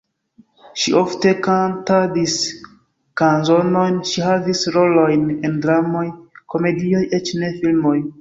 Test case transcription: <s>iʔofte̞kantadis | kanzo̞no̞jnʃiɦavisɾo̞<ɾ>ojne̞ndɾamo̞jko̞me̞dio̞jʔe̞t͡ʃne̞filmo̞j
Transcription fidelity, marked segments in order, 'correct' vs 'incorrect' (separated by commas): incorrect, incorrect